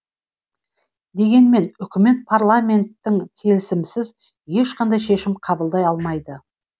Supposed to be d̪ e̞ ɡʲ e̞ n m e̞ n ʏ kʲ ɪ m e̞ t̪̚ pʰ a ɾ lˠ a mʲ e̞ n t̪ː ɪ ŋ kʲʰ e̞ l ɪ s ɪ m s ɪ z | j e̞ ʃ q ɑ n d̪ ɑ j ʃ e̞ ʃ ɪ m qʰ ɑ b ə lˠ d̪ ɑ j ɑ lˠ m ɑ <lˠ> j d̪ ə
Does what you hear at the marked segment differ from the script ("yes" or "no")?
yes